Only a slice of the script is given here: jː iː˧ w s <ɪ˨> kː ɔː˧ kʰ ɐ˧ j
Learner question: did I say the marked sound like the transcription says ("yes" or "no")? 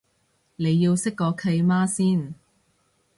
no